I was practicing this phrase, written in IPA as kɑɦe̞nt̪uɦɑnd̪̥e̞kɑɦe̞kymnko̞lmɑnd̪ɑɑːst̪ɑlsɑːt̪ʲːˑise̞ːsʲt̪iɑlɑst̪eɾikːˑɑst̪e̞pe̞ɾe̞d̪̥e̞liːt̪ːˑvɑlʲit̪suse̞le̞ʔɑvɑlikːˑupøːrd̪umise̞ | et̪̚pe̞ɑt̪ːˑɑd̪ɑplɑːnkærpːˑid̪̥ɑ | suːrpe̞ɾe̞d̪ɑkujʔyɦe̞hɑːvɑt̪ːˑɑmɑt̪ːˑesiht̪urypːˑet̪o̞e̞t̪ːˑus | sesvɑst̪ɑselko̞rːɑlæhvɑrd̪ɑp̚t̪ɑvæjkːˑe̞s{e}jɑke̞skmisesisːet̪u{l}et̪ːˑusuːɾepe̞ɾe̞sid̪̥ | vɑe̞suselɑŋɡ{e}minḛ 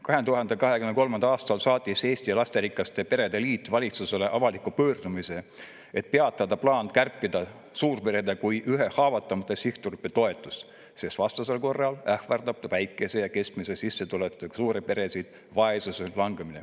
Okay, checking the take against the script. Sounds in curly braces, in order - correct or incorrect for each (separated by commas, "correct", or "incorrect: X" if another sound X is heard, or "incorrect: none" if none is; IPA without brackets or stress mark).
correct, correct, correct